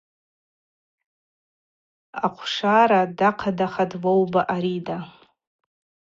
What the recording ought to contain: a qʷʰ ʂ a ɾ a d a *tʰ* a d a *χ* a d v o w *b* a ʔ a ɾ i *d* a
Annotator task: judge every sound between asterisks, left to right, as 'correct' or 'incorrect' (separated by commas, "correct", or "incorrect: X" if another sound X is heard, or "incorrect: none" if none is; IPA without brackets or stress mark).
incorrect: qʰ, correct, correct, correct